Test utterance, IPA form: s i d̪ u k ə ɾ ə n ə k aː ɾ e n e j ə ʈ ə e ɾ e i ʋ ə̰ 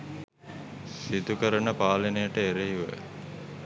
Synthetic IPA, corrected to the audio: s i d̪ u k ə ɾ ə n ə p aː l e n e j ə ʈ ə e ɾ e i ʋ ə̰